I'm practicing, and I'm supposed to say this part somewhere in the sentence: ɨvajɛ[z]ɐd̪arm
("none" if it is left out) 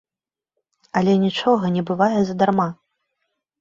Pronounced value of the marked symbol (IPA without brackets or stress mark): z